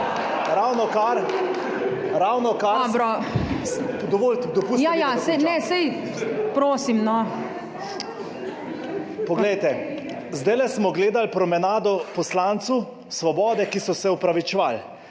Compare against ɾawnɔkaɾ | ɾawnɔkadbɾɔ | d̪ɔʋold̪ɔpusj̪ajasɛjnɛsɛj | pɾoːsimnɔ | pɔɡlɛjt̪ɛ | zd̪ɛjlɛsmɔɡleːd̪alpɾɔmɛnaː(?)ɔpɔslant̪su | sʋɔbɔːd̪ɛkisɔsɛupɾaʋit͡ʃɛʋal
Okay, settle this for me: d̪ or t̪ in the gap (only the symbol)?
d̪